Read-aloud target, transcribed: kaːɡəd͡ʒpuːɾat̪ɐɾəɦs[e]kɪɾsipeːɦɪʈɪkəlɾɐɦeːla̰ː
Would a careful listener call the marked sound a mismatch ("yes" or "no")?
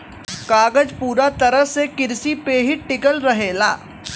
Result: no